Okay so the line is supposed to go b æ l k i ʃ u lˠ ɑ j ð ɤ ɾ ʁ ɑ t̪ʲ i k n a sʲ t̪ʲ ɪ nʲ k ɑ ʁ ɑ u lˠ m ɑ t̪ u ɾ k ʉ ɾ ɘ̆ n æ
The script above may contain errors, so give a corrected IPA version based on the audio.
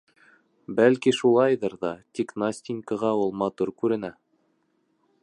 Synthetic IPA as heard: b æ l k i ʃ u lˠ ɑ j ð ɤ ɾ ð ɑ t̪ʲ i k n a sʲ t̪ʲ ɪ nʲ k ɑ ʁ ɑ u lˠ m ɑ t̪ u ɾ k ʉ ɾ ɘ̆ n æ